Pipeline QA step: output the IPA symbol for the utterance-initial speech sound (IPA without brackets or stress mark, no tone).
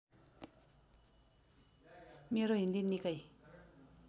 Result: m